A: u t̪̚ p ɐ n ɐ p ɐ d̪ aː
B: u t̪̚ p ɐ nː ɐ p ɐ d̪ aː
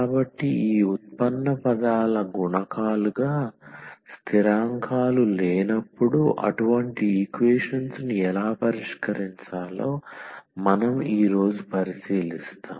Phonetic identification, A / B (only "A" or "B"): B